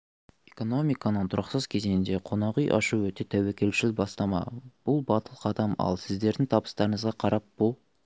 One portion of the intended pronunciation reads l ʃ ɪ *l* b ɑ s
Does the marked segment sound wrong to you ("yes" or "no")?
no